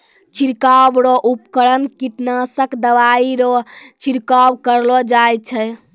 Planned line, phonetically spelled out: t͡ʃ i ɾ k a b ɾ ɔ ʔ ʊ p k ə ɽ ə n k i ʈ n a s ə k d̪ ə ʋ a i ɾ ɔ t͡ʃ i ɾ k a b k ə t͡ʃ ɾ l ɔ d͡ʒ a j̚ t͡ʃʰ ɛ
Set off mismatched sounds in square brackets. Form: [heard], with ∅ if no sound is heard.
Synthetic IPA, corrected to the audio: t͡ʃ i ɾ k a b ɾ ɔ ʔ [u] p k ə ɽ ə n k i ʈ n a s ə k d̪ ə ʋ a i ɾ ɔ t͡ʃ i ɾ k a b k ə [∅] ɾ l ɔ d͡ʒ a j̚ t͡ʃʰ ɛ